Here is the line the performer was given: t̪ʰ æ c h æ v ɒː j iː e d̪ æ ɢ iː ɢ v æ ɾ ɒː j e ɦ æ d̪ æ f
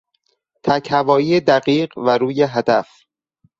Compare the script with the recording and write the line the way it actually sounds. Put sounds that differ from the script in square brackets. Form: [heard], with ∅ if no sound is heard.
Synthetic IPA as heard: t̪ʰ æ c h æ v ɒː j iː e d̪ æ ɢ iː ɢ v æ ɾ [uː] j e ɦ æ d̪ æ f